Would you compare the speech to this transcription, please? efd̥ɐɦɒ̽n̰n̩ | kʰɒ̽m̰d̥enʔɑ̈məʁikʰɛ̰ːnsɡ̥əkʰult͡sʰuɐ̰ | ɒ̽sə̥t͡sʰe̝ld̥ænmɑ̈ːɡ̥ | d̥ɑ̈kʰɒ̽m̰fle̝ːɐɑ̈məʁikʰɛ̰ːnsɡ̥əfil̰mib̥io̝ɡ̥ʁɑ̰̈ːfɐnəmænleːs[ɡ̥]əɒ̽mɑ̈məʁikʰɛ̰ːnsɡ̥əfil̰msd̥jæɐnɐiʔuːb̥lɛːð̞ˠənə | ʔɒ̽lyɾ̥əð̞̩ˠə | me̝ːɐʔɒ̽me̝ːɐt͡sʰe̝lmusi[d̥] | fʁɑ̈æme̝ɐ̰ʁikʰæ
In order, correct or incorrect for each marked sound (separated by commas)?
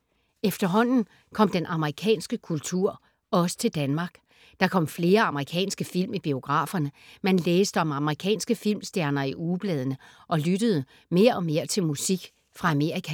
incorrect, incorrect